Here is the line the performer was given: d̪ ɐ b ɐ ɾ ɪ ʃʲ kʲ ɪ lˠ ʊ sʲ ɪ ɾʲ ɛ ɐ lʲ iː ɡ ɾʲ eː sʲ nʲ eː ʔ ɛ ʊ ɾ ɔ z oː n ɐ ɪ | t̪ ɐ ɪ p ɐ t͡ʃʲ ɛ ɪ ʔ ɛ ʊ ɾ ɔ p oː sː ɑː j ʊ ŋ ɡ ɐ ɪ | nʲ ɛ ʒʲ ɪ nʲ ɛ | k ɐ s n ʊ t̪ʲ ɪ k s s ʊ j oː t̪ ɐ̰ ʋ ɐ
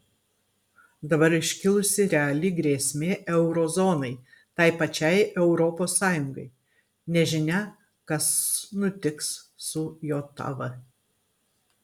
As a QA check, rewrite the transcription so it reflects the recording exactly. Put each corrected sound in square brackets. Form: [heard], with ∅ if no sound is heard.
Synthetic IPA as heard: d̪ ɐ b ɐ ɾ ɪ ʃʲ kʲ ɪ lˠ ʊ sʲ ɪ ɾʲ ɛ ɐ lʲ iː ɡ ɾʲ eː sʲ [mʲ] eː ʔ ɛ ʊ ɾ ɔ z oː n ɐ ɪ | t̪ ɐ ɪ p ɐ t͡ʃʲ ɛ ɪ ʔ ɛ ʊ ɾ ɔ p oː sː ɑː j ʊ ŋ ɡ ɐ ɪ | nʲ ɛ ʒʲ ɪ nʲ ɛ | k ɐ s n ʊ t̪ʲ ɪ k s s ʊ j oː t̪ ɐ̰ ʋ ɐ